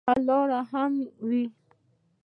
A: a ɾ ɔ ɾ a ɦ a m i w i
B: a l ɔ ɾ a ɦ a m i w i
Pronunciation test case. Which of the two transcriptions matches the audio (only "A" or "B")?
B